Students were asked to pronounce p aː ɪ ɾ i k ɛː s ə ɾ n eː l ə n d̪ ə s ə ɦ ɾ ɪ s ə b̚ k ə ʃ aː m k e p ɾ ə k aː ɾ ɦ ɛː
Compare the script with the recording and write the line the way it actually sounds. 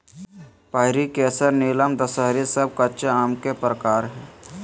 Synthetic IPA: p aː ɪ ɾ i k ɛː s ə ɾ n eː l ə m d̪ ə s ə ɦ ɾ i s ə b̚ k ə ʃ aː m k e p ɾ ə k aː ɾ ɦ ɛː